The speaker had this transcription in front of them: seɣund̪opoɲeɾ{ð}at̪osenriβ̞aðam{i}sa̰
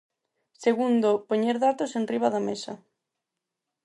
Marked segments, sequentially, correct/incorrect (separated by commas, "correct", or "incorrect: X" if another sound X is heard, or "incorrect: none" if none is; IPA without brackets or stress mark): correct, incorrect: e